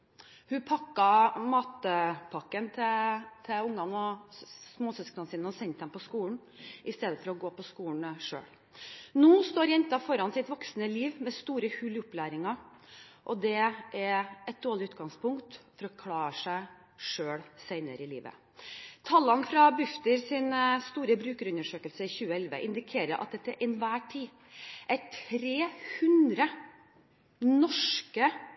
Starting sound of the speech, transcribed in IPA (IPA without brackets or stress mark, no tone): h